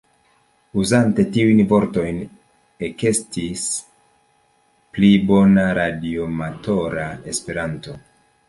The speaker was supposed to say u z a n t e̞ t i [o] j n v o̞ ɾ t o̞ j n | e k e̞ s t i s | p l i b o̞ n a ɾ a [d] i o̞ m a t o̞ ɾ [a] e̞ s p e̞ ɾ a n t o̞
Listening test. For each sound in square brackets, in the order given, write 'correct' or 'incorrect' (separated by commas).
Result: incorrect, correct, correct